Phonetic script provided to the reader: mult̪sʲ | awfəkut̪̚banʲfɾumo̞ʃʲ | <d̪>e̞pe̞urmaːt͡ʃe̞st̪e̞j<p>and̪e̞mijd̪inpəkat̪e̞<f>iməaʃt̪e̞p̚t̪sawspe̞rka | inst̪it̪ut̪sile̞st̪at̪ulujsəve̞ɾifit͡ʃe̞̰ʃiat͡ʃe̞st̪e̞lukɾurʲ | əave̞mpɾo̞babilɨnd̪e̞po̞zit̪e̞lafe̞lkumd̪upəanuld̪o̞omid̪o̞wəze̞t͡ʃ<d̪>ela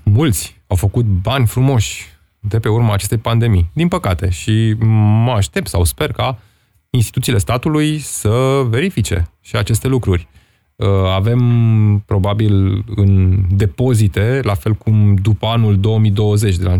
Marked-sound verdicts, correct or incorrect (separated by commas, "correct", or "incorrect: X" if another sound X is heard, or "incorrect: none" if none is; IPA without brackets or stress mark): correct, correct, incorrect: ʃ, correct